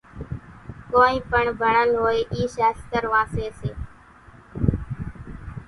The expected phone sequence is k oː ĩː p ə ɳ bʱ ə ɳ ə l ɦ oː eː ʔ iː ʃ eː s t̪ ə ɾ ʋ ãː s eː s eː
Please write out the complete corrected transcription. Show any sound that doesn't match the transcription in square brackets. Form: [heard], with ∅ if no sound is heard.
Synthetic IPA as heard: k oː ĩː p ə ɳ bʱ ə ɳ ə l ɦ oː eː ʔ iː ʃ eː s t̪ ə ɾ ʋ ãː s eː s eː